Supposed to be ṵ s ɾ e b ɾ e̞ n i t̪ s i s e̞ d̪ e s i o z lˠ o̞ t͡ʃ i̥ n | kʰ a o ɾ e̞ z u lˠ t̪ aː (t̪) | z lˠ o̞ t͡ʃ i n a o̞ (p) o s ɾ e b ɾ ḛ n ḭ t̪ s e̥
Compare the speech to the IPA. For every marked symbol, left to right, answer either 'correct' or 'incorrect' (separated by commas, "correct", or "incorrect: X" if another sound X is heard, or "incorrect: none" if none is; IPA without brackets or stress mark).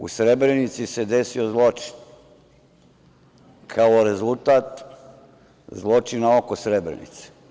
correct, incorrect: k